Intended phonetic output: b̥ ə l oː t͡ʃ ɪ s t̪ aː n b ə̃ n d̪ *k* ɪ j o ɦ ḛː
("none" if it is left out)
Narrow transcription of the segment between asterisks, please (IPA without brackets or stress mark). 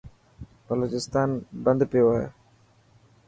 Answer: p